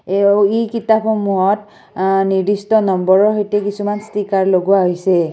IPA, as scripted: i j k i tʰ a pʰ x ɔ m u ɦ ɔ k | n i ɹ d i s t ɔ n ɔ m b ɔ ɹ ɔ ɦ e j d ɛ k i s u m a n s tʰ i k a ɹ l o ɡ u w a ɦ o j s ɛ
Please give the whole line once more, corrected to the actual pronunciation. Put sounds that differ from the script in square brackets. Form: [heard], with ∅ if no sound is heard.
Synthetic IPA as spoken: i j k i [t] a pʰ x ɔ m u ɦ ɔ [t] | n i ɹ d i s t ɔ n ɔ m b ɔ ɹ ɔ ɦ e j [t] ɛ k i s u m a n s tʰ i k a ɹ l o ɡ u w a ɦ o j s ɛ